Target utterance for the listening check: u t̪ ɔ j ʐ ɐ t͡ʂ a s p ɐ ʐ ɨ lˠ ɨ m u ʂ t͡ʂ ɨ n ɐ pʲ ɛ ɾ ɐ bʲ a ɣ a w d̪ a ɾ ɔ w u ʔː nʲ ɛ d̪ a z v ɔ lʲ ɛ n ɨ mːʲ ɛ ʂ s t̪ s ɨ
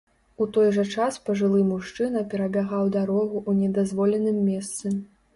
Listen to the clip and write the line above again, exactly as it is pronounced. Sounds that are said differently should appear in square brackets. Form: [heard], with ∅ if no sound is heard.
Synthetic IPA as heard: u t̪ ɔ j ʐ ɐ t͡ʂ a s p ɐ ʐ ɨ lˠ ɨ m u ʂ t͡ʂ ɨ n ɐ pʲ ɛ ɾ ɐ bʲ a ɣ a w d̪ a ɾ ɔ [ɣ] u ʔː nʲ ɛ d̪ a z v ɔ lʲ ɛ n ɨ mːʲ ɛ [∅] s t̪ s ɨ